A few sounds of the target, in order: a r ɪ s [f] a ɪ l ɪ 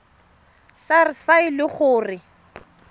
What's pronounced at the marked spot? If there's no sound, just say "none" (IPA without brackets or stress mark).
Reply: f